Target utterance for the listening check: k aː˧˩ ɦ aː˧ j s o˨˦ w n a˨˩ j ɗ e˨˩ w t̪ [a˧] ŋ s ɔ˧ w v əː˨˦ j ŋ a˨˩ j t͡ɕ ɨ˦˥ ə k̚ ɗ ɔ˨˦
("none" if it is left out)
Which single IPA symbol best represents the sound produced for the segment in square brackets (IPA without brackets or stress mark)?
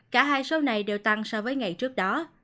a˧